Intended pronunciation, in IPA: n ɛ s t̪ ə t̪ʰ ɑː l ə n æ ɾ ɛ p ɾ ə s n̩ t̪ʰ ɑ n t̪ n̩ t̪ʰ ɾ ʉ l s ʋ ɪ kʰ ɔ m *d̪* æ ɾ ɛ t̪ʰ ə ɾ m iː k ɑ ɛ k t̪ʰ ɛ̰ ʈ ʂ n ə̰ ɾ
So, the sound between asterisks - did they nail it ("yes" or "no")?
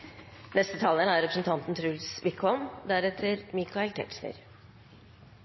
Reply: yes